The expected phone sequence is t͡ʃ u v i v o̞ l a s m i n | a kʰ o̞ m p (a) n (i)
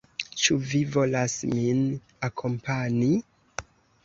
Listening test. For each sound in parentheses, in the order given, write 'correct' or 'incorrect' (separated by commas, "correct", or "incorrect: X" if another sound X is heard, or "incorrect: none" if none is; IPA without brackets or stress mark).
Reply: correct, correct